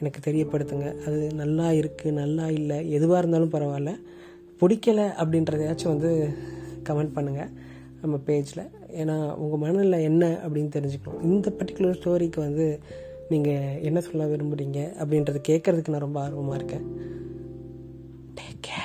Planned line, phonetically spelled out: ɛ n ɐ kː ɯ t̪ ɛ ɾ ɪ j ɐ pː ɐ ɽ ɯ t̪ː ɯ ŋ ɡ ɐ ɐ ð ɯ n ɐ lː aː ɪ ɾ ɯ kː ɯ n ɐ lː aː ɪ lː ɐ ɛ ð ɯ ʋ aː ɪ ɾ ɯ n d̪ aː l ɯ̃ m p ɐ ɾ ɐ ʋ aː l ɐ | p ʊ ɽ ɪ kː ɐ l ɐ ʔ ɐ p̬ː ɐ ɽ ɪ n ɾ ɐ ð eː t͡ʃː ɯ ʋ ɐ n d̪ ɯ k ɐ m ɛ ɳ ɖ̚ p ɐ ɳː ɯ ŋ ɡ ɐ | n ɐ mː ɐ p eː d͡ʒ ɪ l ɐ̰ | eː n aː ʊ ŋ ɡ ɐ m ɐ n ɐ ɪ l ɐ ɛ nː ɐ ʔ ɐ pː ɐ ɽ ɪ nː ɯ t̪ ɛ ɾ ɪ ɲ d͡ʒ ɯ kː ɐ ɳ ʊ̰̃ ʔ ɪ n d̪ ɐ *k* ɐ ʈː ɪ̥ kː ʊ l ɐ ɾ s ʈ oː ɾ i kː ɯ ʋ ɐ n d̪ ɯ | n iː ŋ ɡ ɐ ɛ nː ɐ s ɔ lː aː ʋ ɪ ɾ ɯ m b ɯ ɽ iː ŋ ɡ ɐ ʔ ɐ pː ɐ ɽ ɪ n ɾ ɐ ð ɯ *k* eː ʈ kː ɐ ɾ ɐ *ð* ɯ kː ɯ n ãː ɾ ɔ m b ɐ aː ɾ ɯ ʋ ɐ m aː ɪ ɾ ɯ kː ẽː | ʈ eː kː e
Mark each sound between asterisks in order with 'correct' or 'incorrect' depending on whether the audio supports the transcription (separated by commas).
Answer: incorrect, correct, correct